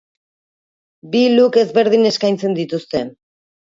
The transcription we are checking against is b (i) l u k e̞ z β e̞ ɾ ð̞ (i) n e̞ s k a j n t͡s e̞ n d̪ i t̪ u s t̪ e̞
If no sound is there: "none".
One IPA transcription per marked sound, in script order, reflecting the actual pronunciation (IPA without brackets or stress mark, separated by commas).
i, i